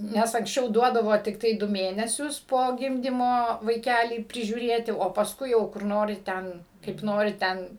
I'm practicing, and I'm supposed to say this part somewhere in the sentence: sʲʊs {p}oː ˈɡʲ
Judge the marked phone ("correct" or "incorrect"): correct